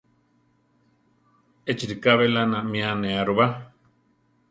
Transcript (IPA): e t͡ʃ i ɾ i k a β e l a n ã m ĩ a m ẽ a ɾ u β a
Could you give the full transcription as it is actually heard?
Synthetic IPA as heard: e t͡ʃ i ɾ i k a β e l a n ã m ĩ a n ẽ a ɾ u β a